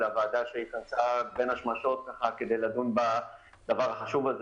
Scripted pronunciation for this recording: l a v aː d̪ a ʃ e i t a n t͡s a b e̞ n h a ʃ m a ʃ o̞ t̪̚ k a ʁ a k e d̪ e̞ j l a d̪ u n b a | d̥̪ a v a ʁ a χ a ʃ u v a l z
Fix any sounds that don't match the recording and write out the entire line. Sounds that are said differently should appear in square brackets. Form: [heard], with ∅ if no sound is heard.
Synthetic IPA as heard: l a v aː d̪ a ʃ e i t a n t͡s a b e̞ n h a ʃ m a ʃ o̞ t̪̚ k a [χ] a k e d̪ e̞ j l a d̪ u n b a | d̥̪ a v a ʁ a χ a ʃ u v a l z